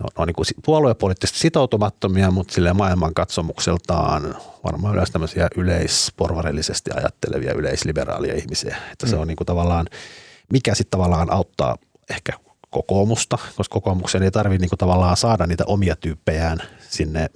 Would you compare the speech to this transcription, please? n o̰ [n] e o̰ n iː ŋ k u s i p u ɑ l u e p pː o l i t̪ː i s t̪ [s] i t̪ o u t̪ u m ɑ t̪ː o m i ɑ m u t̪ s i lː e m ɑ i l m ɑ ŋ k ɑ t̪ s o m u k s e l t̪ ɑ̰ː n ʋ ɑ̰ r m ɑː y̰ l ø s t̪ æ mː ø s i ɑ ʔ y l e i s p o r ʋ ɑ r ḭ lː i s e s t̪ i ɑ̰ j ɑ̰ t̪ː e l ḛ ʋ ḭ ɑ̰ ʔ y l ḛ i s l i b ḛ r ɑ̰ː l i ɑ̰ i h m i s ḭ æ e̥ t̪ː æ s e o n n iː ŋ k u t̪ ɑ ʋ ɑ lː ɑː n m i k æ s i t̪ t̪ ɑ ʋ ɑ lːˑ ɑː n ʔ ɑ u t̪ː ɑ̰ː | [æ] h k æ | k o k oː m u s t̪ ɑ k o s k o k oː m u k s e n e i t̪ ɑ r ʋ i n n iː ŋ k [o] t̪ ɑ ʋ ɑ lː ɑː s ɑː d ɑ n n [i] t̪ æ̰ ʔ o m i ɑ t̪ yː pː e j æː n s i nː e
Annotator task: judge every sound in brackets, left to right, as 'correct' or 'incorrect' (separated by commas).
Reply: correct, correct, incorrect, incorrect, incorrect